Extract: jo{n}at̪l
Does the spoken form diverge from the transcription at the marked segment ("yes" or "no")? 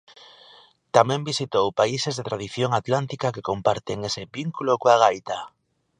yes